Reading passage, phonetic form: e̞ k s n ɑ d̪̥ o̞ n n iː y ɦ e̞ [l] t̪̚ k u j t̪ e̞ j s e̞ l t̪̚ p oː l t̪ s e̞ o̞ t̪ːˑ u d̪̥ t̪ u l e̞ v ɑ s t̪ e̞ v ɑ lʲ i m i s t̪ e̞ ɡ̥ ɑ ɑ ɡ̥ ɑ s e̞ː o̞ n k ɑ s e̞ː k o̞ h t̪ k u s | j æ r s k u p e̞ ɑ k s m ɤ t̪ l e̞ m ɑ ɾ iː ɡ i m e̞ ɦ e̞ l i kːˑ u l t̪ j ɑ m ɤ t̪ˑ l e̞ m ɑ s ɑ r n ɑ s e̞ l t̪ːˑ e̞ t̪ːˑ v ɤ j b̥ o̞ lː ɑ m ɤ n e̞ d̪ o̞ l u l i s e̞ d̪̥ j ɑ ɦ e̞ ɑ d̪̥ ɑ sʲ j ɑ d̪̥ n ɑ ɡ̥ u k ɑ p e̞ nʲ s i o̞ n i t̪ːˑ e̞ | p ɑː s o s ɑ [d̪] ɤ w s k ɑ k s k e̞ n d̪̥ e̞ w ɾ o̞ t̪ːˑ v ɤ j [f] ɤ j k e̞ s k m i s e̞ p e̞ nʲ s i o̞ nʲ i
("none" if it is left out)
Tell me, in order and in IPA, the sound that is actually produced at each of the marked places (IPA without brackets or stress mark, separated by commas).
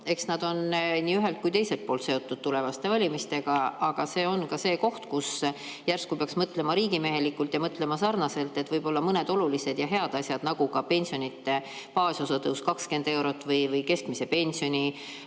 l, t̪, v